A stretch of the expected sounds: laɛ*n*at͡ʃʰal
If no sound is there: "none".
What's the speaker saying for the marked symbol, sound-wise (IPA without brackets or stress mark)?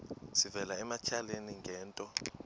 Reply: m